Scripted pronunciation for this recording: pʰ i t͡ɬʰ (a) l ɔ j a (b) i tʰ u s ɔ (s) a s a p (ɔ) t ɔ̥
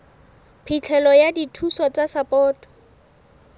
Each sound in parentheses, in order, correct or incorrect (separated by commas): incorrect, incorrect, incorrect, incorrect